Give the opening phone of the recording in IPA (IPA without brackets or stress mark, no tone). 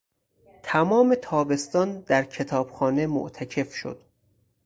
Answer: t̪ʰ